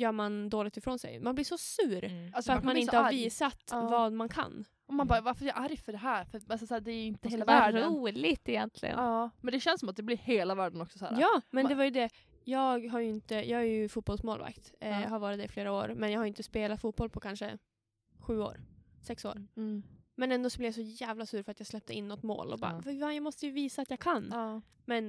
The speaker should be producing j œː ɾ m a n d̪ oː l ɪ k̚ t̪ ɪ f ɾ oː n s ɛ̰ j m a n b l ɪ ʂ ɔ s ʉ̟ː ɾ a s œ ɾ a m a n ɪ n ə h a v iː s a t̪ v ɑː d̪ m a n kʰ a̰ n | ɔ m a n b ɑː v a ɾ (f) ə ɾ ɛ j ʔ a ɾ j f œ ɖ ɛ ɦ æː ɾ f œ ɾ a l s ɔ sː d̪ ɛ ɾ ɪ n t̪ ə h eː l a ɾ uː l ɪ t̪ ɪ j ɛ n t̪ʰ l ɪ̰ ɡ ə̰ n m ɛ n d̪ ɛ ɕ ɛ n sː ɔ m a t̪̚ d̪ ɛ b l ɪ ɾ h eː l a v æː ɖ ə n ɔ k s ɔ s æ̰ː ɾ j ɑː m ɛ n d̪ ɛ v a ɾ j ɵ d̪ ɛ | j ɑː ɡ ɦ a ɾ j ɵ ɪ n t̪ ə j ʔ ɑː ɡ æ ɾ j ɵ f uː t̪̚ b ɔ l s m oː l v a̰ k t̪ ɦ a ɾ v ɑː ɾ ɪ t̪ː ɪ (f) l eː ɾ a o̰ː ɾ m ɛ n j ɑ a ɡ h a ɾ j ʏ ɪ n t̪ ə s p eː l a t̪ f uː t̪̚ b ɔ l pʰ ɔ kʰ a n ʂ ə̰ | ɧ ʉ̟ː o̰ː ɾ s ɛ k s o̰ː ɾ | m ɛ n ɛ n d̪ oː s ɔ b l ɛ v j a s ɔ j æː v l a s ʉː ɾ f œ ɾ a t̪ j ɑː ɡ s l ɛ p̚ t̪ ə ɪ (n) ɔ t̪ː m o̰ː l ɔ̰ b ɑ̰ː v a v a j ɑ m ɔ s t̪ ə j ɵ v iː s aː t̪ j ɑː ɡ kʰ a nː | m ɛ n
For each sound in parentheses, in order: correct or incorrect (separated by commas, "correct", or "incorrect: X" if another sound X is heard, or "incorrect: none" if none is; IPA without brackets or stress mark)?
correct, correct, incorrect: nː